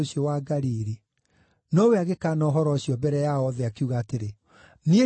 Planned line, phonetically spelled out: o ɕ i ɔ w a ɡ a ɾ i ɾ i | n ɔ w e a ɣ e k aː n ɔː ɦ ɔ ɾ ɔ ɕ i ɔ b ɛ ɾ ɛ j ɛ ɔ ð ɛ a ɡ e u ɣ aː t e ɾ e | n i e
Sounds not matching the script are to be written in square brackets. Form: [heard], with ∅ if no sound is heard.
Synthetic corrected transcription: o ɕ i ɔ w a ɡ a ɾ i ɾ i | n ɔ w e a ɣ e k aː n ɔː ɦ ɔ ɾ ɔ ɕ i ɔ b ɛ ɾ ɛ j [a] ɔ ð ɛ a [k] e u ɣ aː t e ɾ e | n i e